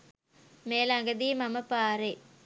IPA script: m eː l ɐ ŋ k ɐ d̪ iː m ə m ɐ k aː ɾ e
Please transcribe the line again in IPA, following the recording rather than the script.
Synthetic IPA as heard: m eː l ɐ ŋ ɡ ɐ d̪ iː m ɐ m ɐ p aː ɾ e